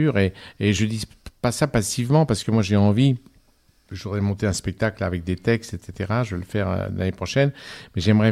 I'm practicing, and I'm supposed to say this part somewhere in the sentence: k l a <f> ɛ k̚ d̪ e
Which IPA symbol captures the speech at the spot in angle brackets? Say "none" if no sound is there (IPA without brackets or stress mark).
v